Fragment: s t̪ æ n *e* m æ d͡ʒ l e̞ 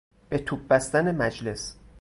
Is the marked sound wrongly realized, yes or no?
no